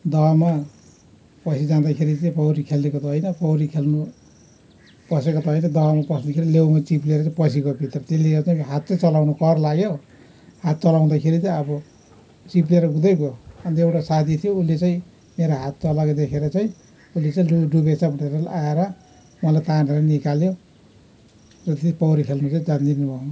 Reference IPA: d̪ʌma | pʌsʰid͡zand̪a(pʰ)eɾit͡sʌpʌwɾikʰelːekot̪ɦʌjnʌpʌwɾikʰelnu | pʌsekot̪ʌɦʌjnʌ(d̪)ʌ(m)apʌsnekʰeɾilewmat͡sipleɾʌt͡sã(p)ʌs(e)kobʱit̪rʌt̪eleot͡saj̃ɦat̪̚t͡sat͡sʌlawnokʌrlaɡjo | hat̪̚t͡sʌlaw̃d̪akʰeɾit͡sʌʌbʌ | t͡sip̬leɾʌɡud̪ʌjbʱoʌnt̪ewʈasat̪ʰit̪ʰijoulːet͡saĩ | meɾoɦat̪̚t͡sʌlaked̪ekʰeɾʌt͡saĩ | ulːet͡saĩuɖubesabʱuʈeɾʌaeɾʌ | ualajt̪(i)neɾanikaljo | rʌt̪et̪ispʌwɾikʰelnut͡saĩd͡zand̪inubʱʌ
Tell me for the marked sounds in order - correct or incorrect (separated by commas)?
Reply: incorrect, correct, correct, correct, incorrect, incorrect